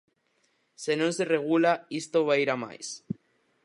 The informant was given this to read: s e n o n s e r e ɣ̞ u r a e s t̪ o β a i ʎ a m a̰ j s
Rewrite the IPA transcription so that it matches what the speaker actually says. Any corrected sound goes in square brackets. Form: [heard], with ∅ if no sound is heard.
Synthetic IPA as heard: s e n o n s e r e ɣ̞ u [l] a [i] s t̪ o β a i [ɾ] a m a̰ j s